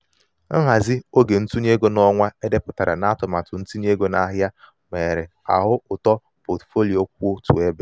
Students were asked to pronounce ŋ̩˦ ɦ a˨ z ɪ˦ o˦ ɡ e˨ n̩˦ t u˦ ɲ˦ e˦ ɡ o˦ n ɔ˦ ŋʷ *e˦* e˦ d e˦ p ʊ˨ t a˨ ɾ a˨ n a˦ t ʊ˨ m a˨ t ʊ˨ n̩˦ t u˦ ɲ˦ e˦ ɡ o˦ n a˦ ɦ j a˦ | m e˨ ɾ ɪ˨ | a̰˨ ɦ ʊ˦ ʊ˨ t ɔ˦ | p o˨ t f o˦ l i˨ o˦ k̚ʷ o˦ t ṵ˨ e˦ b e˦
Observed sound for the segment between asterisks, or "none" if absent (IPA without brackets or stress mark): a˦